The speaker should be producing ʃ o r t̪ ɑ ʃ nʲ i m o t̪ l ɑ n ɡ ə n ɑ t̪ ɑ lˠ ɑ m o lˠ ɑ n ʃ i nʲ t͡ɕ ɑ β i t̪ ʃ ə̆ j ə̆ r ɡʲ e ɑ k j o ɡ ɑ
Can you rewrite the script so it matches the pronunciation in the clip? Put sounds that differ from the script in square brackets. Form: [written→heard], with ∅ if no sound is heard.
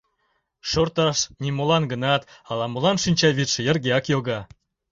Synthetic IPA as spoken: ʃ o r t̪ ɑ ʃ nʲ i m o [t̪→∅] l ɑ n ɡ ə n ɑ t̪ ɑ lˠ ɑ m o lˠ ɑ n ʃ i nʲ t͡ɕ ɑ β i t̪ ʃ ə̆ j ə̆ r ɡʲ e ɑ k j o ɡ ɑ